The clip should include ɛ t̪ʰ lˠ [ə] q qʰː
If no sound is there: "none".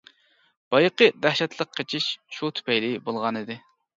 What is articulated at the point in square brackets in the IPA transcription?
ə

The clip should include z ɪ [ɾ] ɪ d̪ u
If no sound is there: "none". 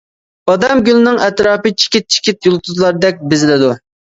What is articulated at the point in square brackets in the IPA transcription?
l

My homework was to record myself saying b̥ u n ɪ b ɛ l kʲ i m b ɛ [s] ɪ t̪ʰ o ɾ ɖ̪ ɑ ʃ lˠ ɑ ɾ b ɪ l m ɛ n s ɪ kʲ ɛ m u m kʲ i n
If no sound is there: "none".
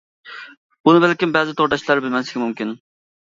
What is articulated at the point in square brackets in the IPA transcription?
z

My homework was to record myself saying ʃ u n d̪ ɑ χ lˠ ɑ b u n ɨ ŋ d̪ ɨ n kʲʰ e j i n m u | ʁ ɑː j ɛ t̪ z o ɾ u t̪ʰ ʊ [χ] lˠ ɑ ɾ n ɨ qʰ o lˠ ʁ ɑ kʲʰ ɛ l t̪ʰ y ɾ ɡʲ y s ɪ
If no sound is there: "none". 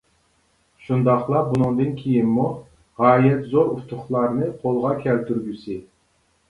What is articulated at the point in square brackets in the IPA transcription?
χ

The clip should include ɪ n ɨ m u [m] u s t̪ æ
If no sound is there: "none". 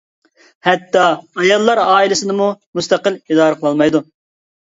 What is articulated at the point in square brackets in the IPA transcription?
m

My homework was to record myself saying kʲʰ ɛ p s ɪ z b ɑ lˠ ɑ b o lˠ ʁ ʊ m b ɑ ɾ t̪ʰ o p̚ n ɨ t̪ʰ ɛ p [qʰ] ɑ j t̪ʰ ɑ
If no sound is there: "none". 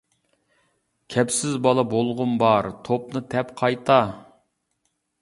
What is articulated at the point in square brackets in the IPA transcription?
qʰ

